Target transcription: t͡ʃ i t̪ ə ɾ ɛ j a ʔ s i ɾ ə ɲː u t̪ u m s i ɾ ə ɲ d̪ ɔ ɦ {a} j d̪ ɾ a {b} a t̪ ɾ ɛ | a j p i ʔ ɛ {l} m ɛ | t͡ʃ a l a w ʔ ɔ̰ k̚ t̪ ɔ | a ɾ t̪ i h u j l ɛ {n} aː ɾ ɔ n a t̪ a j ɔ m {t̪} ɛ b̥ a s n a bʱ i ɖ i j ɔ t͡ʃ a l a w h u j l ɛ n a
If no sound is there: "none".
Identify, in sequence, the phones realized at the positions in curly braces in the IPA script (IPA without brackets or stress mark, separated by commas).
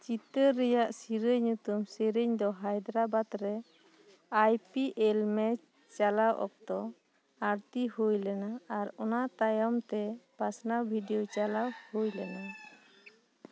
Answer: a, b, l, n, t̪